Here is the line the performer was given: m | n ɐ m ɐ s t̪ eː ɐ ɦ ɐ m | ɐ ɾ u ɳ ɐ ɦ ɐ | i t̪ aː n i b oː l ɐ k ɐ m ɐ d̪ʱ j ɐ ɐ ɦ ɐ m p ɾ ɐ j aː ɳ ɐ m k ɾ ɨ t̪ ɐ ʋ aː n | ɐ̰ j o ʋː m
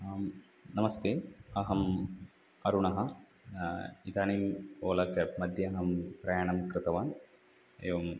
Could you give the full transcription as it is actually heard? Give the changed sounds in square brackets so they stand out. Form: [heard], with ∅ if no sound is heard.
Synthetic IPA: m | n ɐ m ɐ s t̪ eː ɐ ɦ ɐ m | ɐ ɾ u ɳ ɐ ɦ ɐ | i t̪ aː n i [m] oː l ɐ k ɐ m ɐ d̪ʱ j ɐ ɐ ɦ ɐ m p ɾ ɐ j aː ɳ ɐ m k ɾ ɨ t̪ ɐ ʋ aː n | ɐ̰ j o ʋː m